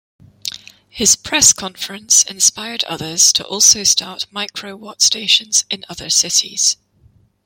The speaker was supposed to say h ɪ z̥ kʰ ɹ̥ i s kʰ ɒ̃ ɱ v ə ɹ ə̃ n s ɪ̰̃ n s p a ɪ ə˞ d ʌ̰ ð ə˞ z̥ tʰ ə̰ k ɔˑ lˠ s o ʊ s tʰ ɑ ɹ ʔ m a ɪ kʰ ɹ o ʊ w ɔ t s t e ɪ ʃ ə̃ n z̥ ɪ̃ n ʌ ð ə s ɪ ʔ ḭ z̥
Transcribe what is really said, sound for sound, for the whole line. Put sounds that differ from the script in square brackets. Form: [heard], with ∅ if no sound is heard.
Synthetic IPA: h ɪ z̥ [pʰ] ɹ̥ [ɛ] s kʰ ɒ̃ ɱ [f] ə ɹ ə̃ n s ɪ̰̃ n s p a ɪ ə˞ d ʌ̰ ð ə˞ z̥ tʰ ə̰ [ʔ] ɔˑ lˠ s o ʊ s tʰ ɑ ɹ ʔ m a ɪ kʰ ɹ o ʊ w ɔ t s t e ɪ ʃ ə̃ n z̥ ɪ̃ n ʌ ð ə s ɪ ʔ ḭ z̥